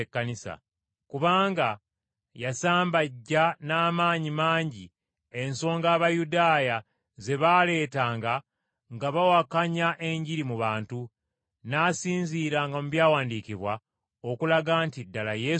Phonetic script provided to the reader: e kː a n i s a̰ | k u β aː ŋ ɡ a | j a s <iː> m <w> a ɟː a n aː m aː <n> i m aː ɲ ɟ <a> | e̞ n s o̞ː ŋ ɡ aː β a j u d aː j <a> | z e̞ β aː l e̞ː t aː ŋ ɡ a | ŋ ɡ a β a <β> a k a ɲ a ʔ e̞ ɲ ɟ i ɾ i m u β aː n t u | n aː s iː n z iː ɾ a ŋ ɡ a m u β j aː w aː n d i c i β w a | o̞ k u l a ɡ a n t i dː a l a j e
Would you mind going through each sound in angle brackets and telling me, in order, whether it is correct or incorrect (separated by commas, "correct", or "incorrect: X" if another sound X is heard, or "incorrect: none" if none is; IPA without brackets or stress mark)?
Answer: incorrect: aː, incorrect: b, incorrect: ɲ, incorrect: i, correct, incorrect: w